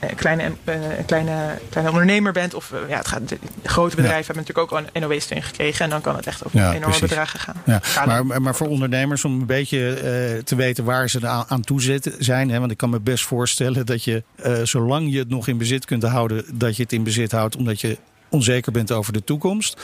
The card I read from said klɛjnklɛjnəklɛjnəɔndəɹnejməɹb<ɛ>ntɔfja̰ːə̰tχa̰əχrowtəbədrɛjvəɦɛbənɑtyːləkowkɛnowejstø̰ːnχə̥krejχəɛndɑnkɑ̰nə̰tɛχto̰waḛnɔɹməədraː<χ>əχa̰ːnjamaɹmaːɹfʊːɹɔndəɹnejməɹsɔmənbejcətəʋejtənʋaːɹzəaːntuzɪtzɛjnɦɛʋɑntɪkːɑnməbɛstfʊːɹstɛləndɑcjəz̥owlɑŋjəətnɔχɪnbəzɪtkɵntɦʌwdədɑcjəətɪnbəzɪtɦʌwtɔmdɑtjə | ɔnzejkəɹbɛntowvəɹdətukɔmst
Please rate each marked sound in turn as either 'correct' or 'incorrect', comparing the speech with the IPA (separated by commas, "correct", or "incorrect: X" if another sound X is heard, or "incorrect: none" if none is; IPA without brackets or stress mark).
correct, correct